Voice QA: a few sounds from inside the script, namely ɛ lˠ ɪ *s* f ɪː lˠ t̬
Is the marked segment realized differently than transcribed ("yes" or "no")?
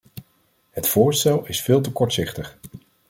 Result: no